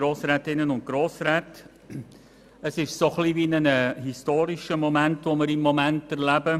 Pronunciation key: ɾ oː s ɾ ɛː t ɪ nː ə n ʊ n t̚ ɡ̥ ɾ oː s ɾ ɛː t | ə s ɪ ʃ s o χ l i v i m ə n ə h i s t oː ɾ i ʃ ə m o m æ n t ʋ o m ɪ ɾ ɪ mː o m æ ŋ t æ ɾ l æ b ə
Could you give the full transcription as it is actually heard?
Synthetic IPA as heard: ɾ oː s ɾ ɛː t ɪ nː ə n ʊ n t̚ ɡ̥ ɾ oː s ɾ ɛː t | ə s ɪ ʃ s o χ l i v i n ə n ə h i s t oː ɾ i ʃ ə m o m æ n t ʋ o m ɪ ɾ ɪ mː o m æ n t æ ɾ l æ b ə